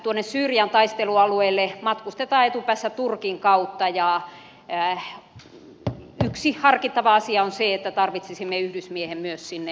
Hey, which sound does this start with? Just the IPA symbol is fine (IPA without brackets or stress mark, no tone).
t̪